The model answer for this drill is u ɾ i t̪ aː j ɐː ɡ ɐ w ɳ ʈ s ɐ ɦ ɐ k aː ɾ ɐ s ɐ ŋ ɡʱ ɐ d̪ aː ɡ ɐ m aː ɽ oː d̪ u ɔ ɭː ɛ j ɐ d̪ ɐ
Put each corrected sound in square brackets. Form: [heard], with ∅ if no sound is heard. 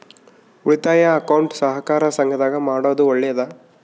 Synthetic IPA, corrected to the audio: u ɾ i t̪ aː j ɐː [k] ɐ w ɳ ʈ s ɐ ɦ ɐ k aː ɾ ɐ s ɐ ŋ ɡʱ ɐ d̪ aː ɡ ɐ m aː ɽ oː d̪ u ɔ ɭː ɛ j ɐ d̪ ɐ